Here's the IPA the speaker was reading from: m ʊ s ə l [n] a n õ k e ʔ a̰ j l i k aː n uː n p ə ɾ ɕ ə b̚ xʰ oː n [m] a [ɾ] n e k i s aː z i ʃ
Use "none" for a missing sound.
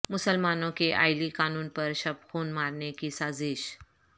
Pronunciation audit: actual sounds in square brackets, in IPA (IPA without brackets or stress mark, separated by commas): m, m, ɾ